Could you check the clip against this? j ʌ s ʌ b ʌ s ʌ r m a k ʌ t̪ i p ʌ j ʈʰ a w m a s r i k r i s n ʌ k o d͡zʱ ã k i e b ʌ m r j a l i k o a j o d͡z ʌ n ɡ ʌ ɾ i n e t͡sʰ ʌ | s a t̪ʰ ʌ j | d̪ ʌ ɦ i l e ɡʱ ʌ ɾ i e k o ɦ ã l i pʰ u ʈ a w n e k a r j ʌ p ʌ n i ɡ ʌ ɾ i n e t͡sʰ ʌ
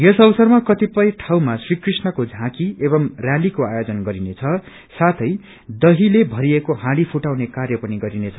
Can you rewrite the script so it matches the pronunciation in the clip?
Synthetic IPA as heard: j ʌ s ʌ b ʌ s ʌ r m a k ʌ t̪ i p ʌ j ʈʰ a w m a s r i k r i s n ʌ k o d͡zʱ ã k i e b ʌ m r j a l i k o a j o d͡z ʌ n ɡ ʌ ɾ i n e t͡sʰ ʌ | s a t̪ʰ ʌ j | d̪ ʌ ɦ i l e bʱ ʌ ɾ i e k o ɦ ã ɽ i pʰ u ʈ a w n e k a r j ʌ p ʌ n i ɡ ʌ ɾ i n e t͡sʰ ʌ